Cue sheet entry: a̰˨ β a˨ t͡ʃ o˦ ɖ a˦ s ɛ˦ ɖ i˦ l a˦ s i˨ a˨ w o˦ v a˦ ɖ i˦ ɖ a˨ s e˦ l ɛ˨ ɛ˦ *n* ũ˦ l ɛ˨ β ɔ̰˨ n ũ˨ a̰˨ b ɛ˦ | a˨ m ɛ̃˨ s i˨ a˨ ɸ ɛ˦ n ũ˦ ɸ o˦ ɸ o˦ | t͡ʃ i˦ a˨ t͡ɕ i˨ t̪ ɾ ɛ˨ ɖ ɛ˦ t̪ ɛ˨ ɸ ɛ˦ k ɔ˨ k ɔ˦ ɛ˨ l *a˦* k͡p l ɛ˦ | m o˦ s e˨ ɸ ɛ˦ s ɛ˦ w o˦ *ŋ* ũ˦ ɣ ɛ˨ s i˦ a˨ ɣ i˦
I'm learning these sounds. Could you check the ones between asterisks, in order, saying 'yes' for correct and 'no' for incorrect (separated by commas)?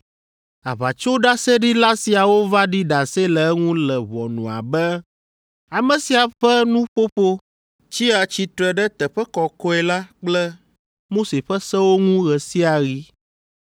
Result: no, yes, yes